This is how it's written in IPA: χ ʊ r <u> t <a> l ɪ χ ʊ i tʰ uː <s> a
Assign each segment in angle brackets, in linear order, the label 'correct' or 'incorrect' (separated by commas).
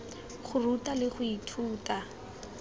correct, correct, incorrect